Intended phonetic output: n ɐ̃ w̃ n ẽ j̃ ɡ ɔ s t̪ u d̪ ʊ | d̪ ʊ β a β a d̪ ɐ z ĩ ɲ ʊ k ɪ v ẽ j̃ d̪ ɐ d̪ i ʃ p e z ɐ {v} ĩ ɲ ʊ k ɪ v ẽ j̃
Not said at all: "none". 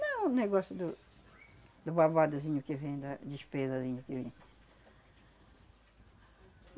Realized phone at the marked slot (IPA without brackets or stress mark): z